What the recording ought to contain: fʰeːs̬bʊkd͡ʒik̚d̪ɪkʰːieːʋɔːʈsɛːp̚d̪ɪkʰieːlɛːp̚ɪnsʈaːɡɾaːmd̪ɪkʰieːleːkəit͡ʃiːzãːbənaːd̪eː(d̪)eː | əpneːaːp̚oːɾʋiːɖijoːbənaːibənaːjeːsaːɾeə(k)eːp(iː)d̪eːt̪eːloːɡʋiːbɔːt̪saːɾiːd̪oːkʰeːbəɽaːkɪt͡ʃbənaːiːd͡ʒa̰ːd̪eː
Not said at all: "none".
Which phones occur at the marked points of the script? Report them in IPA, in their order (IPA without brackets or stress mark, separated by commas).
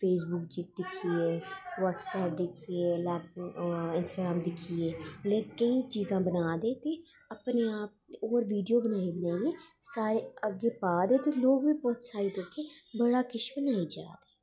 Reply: t̪, ɡ, aː